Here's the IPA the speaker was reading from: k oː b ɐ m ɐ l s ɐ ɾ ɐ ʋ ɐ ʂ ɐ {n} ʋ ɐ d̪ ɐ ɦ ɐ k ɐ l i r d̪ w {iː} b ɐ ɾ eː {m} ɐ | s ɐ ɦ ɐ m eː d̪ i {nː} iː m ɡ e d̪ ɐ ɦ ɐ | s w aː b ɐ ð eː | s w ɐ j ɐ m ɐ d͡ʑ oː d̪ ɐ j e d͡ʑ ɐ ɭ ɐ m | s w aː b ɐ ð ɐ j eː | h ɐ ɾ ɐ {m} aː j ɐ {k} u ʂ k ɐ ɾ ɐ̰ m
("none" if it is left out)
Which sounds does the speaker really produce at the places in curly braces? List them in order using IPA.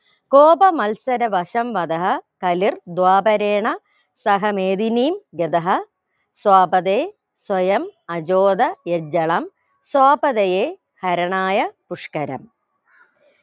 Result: m, aː, ɳ, n, ɳ, p

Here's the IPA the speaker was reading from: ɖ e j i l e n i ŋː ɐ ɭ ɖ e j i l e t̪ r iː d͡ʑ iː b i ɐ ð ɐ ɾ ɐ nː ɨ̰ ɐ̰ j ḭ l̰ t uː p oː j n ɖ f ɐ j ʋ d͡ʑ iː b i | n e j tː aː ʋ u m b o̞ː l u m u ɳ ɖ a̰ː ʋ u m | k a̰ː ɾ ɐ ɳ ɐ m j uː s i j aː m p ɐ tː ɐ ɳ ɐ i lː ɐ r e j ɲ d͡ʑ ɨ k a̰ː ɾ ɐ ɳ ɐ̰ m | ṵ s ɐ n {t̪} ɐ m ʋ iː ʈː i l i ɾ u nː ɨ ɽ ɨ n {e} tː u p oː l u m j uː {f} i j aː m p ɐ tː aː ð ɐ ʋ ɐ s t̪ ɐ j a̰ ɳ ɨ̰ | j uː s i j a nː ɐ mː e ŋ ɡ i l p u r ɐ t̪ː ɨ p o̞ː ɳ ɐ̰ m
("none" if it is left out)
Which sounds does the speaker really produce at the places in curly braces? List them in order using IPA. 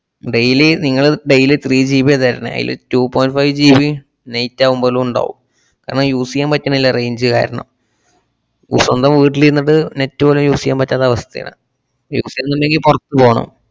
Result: d̪, e, s

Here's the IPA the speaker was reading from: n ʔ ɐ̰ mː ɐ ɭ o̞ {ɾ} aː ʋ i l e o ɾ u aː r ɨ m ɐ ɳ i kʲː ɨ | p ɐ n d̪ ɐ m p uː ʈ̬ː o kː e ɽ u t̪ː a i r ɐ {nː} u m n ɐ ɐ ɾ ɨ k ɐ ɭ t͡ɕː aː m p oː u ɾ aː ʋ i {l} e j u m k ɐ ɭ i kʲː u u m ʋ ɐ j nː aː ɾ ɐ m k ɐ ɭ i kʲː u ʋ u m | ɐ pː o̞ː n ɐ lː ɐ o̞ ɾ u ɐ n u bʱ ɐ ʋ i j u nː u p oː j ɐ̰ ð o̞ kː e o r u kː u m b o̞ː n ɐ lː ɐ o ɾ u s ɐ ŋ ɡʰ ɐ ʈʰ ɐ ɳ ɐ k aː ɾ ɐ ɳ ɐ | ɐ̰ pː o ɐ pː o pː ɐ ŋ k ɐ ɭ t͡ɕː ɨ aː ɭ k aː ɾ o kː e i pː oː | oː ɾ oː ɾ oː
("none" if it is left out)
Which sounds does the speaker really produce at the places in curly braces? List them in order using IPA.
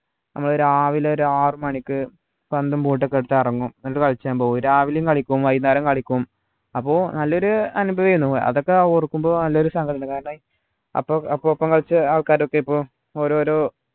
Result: ɾ, ŋː, l

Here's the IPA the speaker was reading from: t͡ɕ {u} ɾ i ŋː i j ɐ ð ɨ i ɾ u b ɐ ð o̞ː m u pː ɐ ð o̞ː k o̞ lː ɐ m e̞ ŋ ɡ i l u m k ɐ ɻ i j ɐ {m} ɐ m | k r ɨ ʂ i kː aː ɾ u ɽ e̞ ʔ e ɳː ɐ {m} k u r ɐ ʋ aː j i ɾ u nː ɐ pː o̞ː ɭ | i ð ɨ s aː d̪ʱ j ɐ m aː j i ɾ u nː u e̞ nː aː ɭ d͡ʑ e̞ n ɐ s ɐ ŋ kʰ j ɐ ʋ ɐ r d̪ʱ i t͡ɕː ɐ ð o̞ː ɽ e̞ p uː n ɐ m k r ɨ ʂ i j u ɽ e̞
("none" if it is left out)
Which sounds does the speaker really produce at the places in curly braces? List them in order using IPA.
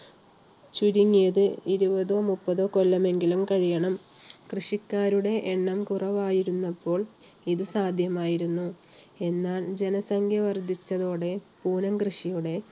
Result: u, ɳ, m

